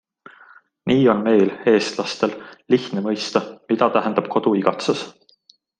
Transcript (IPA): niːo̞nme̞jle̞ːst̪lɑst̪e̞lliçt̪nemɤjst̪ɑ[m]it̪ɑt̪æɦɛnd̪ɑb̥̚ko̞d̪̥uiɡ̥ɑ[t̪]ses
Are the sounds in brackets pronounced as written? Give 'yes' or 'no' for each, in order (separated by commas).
yes, yes